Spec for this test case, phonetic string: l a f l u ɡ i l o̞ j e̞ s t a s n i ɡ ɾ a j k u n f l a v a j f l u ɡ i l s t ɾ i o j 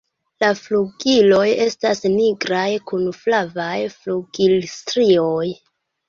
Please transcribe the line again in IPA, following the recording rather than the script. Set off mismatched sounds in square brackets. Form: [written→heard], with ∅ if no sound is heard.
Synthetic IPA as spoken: l a f l u ɡ i l o̞ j e̞ s t a s n i ɡ ɾ a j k u n f l a v a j f l u ɡ i l s t ɾ i o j

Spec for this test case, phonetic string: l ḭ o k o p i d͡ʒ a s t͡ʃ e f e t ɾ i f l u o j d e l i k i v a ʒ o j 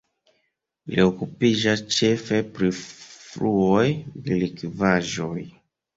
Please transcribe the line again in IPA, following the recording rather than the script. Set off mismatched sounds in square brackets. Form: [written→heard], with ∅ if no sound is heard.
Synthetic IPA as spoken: l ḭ o k [o→u] p i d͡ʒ a s t͡ʃ e f e [t→p] ɾ i f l u o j d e l i k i v a ʒ o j

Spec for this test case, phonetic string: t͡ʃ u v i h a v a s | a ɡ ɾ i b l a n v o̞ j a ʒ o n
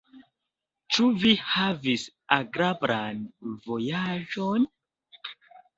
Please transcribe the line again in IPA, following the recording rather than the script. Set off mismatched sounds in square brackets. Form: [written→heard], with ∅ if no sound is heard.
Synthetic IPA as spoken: t͡ʃ u v i h a v [a→i] s | a ɡ ɾ [i→a] b [l→ɾ] a n v o̞ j a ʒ o n

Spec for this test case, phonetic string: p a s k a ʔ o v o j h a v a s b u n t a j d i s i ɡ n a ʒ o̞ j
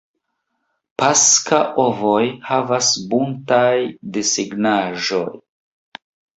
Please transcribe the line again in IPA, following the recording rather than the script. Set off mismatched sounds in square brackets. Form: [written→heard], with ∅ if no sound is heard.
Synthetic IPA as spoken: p a s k a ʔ o v o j h a v a s b u n t a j d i s i ɡ n a ʒ o̞ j

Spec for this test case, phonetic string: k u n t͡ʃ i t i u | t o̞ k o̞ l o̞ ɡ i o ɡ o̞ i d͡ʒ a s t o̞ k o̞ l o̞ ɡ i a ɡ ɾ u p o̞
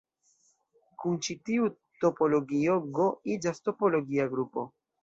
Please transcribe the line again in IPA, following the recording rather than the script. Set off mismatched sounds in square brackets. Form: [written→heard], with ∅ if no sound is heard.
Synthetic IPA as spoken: k u n t͡ʃ i t i u | t o̞ [k→p] o̞ l o̞ ɡ i o ɡ o̞ i d͡ʒ a s t o̞ [k→p] o̞ l o̞ ɡ i a ɡ ɾ u p o̞

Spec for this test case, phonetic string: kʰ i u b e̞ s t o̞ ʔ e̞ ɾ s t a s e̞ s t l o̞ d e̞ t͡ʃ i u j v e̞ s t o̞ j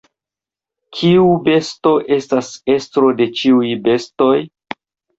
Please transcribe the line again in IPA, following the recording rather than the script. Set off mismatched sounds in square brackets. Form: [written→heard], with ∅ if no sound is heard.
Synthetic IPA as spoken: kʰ i u b e̞ s t o̞ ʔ e̞ [ɾ→∅] s t a s e̞ s t [l→ɾ] o̞ d e̞ t͡ʃ i u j [v→b] e̞ s t o̞ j

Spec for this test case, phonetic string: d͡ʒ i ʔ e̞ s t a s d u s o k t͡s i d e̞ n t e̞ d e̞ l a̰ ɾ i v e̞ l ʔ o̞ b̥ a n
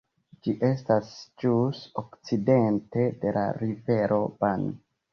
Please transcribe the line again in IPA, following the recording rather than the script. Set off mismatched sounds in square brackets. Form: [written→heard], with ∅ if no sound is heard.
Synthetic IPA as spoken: d͡ʒ i ʔ e̞ s t a s [d→d͡ʒ] u s o k t͡s i d e̞ n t e̞ d e̞ l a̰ ɾ i v e̞ [l→ɾ] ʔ o̞ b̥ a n

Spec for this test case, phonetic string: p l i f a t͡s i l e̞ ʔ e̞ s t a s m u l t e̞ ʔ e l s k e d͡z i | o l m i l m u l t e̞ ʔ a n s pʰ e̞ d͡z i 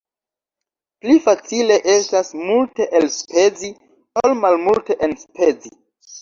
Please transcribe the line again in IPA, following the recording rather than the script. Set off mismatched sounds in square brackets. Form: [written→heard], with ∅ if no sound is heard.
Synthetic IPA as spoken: p l i f a t͡s i l e̞ ʔ e̞ s t a s m u l t e̞ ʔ e l s [k→p] e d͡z i | o l m [i→a] l m u l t e̞ ʔ [a→e] n s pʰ e̞ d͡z i

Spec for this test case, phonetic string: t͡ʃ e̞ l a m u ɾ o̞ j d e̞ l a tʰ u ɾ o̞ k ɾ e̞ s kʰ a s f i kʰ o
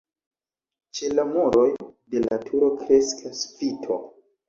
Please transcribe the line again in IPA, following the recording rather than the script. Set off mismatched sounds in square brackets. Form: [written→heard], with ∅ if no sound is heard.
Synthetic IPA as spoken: t͡ʃ e̞ l a m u ɾ o̞ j d e̞ l a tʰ u ɾ o̞ k ɾ e̞ s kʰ a s f i [kʰ→tʰ] o

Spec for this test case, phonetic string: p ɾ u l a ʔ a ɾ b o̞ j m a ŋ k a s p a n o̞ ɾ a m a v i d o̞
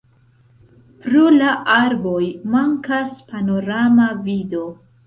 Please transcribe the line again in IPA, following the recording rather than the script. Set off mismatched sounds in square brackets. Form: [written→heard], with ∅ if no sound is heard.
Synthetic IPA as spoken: p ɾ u l a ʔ a ɾ b o̞ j m a ŋ k a s p a n o̞ ɾ a m a v i d o̞

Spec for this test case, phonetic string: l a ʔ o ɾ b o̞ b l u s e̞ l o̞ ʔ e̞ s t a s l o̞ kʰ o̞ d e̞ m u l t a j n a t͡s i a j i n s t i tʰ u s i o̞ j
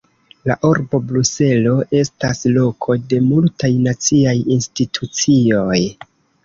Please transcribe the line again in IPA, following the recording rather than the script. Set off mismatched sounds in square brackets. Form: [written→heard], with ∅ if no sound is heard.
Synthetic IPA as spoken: l a ʔ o ɾ b o̞ b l u s e̞ l o̞ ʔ e̞ s t a s l o̞ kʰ o̞ d e̞ m u l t a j n a t͡s i a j i n s t i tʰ u [s→t͡s] i o̞ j

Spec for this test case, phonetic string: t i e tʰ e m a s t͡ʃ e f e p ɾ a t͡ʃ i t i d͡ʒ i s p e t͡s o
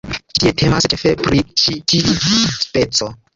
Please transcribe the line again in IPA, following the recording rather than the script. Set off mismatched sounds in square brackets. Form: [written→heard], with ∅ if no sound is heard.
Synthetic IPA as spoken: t i e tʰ e m a s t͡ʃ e f e p ɾ [a→i] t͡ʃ i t i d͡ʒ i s p e t͡s o

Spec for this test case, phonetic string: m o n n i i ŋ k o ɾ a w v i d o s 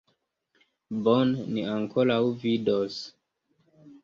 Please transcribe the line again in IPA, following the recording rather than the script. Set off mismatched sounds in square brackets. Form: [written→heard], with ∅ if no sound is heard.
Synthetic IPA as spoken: [m→b] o n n i [i→a] ŋ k o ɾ a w v i d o s

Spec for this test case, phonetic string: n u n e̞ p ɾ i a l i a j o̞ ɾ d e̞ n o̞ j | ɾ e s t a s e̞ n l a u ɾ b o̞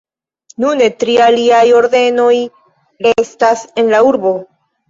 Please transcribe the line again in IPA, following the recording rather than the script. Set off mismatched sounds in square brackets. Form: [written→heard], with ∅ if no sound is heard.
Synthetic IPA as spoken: n u n e̞ [p→t] ɾ i a l i a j o̞ ɾ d e̞ n o̞ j | ɾ e s t a s e̞ n l a u ɾ b o̞

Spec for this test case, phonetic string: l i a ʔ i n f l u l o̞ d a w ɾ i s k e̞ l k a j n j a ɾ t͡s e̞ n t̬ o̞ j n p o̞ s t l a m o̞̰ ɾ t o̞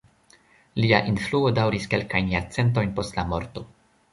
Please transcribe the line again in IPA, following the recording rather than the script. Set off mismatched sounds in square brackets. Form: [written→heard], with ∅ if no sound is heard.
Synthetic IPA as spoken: l i a ʔ i n f l u [l→∅] o̞ d a w ɾ i s k e̞ l k a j n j a ɾ t͡s e̞ n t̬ o̞ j n p o̞ s t l a m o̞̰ ɾ t o̞

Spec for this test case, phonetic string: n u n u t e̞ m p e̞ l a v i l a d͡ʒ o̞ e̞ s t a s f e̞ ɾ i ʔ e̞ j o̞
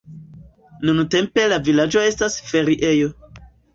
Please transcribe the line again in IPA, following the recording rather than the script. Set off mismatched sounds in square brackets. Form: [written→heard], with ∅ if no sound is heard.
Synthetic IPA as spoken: n u n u t e̞ m p e̞ l a v i l a d͡ʒ o̞ e̞ s t a s f e̞ ɾ i ʔ e̞ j o̞

